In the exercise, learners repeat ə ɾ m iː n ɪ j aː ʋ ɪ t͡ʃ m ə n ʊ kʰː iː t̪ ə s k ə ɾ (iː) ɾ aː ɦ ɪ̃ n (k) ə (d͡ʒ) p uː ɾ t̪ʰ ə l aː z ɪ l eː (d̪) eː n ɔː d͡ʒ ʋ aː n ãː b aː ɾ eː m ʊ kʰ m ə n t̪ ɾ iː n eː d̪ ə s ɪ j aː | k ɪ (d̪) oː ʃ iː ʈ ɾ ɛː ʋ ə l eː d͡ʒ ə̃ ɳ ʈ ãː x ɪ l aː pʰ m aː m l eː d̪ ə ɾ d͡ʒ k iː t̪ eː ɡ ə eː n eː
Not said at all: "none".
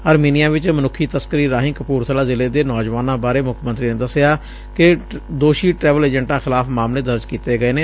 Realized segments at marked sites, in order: iː, k, none, d̪, d̪

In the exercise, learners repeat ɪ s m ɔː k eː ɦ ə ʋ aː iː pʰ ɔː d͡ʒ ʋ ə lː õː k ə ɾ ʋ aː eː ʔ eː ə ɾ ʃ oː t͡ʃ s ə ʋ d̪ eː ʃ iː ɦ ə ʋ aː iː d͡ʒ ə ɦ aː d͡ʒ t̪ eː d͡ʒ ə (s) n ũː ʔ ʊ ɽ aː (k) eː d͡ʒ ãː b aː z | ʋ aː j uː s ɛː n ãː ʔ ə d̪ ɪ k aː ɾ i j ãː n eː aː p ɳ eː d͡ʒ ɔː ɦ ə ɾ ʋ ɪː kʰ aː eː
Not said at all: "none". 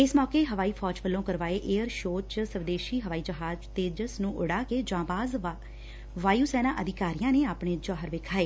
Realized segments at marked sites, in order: s, k

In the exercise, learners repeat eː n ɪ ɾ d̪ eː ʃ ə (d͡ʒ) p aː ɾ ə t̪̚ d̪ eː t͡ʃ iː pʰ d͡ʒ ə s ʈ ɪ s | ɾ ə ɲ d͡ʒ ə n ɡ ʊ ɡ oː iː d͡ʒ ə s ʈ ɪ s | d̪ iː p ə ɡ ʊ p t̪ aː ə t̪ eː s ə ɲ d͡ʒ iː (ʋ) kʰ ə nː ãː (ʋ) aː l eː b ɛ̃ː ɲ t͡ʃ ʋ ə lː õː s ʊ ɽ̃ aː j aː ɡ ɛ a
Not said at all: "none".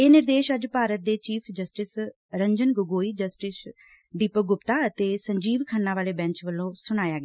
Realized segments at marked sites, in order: d͡ʒ, ʋ, ʋ

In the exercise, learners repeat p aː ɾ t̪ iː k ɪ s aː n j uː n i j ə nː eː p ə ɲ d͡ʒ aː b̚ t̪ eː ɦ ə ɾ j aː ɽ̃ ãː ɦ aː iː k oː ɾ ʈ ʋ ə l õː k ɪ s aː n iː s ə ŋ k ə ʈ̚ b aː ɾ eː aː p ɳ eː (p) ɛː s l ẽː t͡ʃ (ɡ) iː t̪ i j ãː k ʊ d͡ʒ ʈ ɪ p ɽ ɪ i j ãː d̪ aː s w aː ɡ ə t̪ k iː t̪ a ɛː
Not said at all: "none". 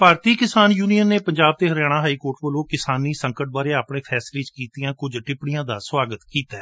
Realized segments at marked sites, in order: pʰ, k

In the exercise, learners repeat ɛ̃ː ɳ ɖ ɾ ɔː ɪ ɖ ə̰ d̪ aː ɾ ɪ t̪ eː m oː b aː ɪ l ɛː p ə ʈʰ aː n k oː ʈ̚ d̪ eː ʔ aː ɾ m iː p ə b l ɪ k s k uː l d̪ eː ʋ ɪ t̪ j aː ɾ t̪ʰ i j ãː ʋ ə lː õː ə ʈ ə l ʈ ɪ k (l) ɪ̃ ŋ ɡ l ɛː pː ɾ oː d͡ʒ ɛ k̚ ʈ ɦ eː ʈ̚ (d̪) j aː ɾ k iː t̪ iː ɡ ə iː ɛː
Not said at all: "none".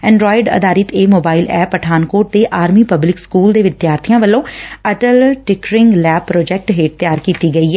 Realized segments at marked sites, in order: ɾ, t̪

